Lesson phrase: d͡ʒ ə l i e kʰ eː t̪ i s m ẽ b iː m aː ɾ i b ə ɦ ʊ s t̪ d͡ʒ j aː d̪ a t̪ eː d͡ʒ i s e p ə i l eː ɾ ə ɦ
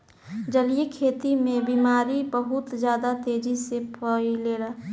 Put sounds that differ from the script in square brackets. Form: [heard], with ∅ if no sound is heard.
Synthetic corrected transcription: d͡ʒ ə l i e kʰ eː t̪ i [∅] m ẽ b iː m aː ɾ i b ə ɦ ʊ [∅] t̪ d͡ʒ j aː d̪ a t̪ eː d͡ʒ i s e p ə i l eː ɾ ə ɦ